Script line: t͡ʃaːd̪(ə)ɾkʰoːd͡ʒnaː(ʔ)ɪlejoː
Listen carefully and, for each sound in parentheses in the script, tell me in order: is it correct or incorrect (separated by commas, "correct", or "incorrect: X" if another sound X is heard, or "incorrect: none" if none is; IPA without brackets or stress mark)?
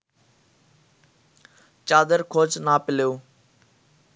correct, incorrect: p